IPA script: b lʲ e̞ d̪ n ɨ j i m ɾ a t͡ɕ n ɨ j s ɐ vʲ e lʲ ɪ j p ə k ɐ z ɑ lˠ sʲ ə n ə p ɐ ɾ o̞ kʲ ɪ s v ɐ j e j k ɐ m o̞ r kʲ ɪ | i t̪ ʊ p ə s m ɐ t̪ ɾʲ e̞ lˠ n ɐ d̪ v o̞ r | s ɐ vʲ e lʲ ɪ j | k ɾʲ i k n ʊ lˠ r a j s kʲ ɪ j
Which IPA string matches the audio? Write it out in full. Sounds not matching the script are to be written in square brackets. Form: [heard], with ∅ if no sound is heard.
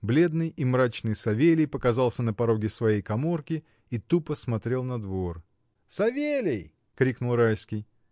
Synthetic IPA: b lʲ e̞ d̪ n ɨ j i m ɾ a t͡ɕ n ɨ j s ɐ vʲ e lʲ ɪ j p ə k ɐ z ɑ lˠ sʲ ə n ə p ɐ ɾ o̞ [ɡʲ] ɪ s v ɐ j e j k ɐ m o̞ r kʲ ɪ | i t̪ [u] p ə s m ɐ t̪ ɾʲ e̞ lˠ n ɐ d̪ v o̞ r | s ɐ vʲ e lʲ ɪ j | k ɾʲ i k n ʊ lˠ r a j s kʲ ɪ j